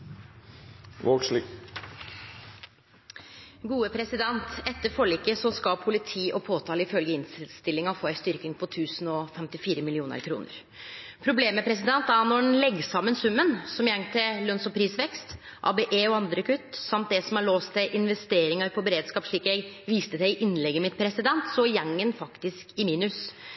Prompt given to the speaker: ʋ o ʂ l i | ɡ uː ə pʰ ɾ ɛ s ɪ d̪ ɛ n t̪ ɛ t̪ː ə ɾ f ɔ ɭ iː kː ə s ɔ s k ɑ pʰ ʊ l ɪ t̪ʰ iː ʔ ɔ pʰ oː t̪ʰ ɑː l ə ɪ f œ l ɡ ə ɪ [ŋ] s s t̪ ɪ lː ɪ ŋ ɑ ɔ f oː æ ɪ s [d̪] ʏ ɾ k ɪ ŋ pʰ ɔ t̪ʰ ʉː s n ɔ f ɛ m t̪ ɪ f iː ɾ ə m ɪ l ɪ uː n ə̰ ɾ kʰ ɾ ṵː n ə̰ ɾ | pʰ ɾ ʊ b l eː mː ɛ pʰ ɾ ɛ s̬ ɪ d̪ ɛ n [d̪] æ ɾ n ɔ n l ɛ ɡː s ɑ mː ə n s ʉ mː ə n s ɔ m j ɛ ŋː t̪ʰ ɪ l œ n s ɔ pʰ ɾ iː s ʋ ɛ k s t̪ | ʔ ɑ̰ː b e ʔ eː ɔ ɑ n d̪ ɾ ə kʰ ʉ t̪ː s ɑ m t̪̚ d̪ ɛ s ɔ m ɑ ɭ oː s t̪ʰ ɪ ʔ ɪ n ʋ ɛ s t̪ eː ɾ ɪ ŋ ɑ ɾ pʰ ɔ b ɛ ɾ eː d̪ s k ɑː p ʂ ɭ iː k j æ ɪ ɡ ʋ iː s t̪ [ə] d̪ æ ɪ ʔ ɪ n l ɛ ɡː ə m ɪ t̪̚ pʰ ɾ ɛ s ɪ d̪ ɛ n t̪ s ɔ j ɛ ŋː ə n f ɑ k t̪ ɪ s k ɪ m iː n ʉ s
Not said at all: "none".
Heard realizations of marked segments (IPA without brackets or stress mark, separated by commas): n, t̪, t̪, ə